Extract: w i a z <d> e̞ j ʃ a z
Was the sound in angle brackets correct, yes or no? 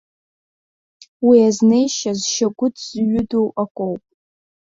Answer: no